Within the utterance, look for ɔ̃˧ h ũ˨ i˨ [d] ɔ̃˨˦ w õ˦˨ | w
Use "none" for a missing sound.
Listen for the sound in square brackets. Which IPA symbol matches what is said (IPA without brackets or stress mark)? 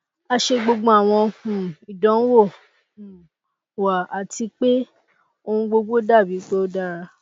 d